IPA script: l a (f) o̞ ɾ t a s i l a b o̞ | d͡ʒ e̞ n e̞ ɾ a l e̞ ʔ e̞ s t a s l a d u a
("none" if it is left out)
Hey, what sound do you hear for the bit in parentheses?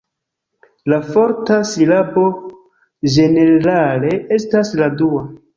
f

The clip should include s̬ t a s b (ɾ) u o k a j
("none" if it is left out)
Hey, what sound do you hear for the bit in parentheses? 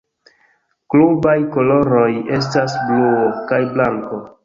l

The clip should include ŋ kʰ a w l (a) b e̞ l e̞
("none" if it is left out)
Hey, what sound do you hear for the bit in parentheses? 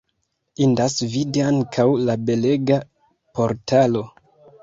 a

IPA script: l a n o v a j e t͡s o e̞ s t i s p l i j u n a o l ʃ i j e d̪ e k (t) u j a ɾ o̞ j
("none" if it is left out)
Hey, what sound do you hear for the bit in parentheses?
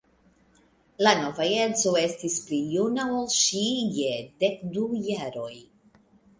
d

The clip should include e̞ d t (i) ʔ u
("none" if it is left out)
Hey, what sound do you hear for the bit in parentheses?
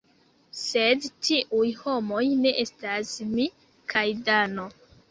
i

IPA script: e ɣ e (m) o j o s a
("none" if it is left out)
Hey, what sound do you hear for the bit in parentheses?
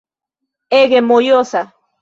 m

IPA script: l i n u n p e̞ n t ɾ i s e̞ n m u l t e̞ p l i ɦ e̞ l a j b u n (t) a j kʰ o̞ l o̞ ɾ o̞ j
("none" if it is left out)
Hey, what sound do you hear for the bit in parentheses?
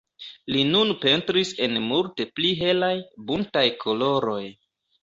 t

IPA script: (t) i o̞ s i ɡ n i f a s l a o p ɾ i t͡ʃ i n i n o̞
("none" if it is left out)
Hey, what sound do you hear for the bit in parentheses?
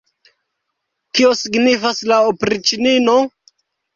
k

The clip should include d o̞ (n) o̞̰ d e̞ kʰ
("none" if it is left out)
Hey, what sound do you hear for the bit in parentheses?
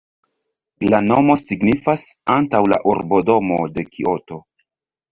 m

